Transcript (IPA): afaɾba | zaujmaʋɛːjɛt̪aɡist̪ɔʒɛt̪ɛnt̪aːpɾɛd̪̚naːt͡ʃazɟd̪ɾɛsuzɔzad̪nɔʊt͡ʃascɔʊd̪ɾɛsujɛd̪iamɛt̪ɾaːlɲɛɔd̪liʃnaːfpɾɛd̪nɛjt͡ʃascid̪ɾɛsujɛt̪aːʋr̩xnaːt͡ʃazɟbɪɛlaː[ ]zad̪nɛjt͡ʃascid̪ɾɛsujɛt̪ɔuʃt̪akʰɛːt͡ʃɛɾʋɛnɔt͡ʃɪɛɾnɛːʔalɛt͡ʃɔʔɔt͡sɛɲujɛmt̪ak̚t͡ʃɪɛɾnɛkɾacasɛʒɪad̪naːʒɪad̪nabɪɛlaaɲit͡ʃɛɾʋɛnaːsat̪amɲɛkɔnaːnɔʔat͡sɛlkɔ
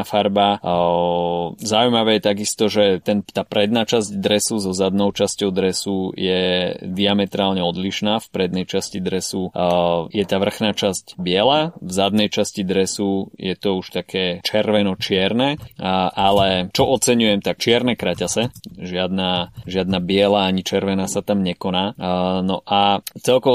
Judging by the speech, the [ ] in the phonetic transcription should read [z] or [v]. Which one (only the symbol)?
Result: v